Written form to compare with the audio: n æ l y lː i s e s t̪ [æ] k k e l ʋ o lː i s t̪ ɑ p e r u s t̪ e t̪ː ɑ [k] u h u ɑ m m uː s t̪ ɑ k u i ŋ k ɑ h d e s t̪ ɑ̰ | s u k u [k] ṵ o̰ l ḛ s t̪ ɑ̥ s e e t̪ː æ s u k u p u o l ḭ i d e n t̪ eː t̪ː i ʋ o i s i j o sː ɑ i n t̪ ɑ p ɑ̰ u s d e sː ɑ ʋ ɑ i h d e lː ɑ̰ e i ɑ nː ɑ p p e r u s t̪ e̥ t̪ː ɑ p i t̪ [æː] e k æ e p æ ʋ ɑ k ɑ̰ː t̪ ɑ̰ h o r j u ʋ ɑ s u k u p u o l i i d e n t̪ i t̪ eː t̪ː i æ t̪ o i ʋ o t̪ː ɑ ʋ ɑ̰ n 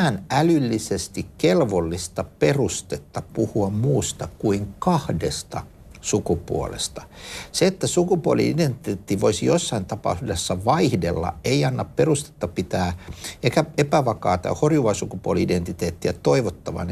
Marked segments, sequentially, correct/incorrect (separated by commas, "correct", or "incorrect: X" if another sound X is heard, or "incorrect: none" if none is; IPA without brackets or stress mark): incorrect: i, incorrect: p, incorrect: p, correct